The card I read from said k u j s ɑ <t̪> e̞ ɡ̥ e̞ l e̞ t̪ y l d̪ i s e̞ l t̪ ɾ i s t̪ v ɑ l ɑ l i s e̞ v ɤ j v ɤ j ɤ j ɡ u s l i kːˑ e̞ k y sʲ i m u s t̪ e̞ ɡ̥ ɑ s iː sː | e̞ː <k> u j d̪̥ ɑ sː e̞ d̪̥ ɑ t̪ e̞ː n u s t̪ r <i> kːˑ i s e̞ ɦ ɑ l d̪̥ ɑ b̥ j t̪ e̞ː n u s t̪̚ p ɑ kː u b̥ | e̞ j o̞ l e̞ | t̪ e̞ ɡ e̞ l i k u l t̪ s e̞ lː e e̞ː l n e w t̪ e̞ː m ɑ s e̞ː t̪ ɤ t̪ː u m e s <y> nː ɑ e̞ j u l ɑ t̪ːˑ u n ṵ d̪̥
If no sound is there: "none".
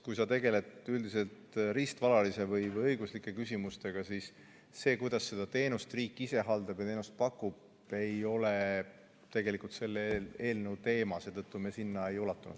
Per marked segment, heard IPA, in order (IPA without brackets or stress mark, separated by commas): t̪, k, iː, i